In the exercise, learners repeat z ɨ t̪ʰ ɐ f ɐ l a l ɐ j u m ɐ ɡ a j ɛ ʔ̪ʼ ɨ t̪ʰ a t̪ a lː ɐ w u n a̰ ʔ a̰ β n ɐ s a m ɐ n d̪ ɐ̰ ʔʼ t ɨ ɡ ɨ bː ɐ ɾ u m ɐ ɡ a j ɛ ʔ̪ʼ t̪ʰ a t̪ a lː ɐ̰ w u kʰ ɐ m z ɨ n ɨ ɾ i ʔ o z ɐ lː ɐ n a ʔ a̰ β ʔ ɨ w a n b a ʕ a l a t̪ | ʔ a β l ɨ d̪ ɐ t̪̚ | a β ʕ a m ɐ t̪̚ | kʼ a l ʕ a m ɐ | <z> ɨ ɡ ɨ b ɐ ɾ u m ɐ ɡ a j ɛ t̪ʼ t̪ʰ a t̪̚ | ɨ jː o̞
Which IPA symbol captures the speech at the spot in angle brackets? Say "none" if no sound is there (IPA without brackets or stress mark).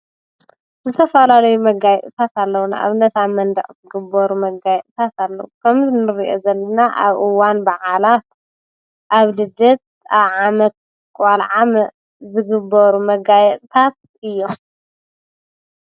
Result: z